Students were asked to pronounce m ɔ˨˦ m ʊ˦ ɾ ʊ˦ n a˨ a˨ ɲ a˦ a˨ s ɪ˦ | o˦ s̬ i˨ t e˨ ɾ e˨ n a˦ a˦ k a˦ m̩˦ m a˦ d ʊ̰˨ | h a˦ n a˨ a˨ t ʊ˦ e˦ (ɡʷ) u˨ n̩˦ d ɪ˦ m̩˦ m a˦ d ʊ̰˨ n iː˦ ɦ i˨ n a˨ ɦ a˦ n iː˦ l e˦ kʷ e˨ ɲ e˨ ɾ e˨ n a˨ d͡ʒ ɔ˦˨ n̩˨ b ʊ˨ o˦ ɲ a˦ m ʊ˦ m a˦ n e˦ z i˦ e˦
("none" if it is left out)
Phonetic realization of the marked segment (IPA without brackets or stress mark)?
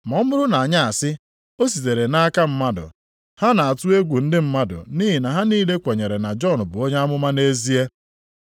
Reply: ɡʷ